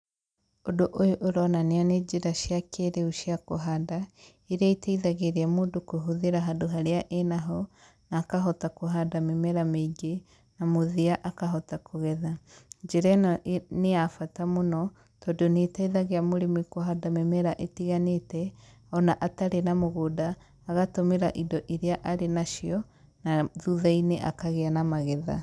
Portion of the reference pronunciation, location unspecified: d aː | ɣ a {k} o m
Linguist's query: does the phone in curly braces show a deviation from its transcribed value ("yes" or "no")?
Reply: yes